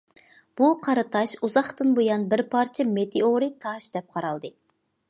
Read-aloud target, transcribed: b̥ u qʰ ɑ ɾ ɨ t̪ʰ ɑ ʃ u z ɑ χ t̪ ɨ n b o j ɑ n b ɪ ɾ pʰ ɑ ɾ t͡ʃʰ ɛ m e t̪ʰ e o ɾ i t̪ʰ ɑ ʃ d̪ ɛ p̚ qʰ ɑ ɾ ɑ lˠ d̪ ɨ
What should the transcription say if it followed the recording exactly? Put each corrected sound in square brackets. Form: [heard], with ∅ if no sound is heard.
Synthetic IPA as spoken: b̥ u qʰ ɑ ɾ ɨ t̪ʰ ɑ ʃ u z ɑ χ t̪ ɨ n b o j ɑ n b ɪ ɾ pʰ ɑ ɾ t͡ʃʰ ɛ m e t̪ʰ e o ɾ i t̪ʰ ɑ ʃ d̪ ɛ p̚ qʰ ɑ ɾ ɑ lˠ d̪ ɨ